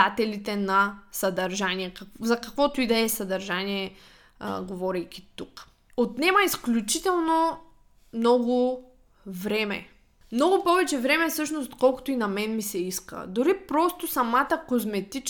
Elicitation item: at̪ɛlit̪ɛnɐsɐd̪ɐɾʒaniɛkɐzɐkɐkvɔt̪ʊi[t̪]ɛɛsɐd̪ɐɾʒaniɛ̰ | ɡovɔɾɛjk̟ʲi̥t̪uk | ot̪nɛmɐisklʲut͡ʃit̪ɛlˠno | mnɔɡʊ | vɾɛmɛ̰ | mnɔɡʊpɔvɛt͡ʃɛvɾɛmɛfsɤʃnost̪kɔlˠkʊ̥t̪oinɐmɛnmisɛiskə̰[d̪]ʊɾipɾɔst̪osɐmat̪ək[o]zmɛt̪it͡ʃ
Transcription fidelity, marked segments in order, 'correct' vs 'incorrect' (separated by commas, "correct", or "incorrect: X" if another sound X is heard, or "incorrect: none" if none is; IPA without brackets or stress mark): incorrect: d̪, correct, correct